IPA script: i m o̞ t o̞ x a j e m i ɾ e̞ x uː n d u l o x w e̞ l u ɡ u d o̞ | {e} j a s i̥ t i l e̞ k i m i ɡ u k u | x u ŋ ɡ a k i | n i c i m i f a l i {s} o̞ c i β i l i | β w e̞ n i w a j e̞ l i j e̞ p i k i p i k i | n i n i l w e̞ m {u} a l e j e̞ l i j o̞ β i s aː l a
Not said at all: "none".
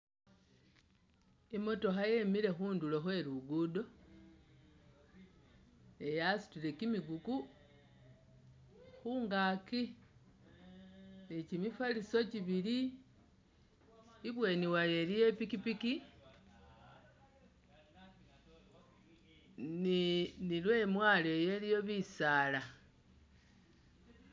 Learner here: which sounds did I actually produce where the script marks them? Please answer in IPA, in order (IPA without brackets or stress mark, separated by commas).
e, s, w